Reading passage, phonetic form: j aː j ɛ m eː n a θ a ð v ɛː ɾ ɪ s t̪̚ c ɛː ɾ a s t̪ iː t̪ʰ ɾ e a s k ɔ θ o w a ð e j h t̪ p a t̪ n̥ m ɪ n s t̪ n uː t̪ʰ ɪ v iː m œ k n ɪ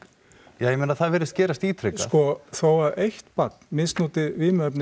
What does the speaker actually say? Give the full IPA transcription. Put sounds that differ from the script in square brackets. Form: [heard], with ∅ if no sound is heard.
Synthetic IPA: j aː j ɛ m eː n a θ a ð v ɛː ɾ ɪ s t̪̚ c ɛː ɾ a s t̪ iː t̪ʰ ɾ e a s k ɔ θ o w a ð e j h t̪ p a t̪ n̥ m ɪ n s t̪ n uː [t̪] ɪ v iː m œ [p] n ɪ